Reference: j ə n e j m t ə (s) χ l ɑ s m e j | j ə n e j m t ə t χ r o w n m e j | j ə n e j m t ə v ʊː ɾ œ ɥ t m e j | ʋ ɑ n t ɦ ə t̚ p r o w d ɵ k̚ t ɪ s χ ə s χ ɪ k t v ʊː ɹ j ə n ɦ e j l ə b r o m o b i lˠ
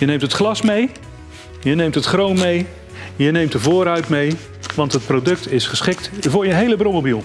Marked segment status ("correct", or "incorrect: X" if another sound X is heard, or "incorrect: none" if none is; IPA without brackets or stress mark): incorrect: t